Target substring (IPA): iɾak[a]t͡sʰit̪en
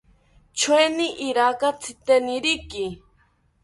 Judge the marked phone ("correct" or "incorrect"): correct